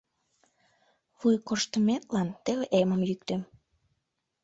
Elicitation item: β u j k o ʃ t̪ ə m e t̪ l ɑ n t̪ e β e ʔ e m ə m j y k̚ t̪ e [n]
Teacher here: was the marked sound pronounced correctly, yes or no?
no